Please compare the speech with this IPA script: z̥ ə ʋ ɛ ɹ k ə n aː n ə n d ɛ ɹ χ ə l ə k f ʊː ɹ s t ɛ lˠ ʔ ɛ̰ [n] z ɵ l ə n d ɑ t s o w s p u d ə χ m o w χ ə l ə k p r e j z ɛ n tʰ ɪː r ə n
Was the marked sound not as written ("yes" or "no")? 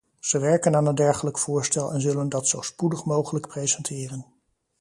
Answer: no